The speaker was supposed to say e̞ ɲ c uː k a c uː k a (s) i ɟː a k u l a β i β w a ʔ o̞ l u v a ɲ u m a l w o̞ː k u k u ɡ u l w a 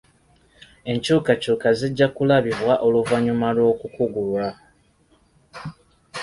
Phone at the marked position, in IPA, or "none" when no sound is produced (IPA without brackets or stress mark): z